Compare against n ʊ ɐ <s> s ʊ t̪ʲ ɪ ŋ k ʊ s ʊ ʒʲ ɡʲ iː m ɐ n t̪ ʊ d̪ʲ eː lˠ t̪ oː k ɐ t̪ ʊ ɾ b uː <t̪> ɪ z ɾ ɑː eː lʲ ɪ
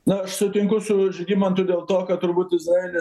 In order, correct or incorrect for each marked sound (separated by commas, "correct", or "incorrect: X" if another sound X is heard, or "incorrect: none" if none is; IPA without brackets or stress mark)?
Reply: incorrect: ʃ, correct